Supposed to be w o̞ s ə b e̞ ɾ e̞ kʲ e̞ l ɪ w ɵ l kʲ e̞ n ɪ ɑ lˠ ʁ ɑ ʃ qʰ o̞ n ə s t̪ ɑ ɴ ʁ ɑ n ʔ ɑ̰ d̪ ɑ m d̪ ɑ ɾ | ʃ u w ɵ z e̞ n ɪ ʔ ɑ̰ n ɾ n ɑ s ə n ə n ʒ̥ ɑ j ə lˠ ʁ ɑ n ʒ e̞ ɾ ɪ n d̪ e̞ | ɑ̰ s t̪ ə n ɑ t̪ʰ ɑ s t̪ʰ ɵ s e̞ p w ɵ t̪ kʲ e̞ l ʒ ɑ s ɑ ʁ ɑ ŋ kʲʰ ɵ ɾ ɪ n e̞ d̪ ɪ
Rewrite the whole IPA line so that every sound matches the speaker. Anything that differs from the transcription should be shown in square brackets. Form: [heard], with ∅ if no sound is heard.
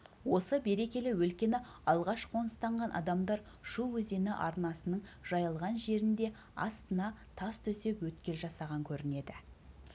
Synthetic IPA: w o̞ s ə b e̞ ɾ e̞ kʲ e̞ l ɪ w ɵ l kʲ e̞ n ɪ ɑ lˠ ʁ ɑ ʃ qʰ o̞ n ə s t̪ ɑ ɴ ʁ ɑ n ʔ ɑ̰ d̪ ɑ m d̪ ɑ ɾ | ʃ u w ɵ z e̞ n ɪ ʔ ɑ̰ [∅] ɾ n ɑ s ə n ə [ɴ] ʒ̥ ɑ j ə lˠ ʁ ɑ n ʒ e̞ ɾ ɪ n d̪ e̞ | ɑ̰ s t̪ ə n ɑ t̪ʰ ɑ s t̪ʰ ɵ s e̞ p w ɵ t̪ kʲ e̞ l ʒ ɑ s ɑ ʁ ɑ ŋ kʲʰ ɵ ɾ ɪ n e̞ d̪ ɪ